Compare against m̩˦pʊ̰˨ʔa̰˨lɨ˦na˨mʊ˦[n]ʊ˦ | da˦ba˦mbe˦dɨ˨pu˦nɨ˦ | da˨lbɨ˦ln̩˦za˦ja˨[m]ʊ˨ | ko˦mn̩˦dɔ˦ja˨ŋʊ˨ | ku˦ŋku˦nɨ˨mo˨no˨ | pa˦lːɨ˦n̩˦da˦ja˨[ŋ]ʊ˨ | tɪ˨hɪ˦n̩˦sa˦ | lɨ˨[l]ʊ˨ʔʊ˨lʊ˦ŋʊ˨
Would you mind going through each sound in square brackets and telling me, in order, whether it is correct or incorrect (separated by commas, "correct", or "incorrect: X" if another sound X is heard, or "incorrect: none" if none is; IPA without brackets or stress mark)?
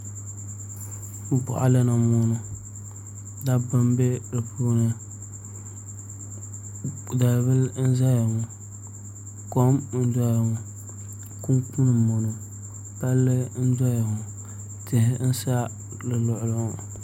correct, incorrect: ŋ, correct, correct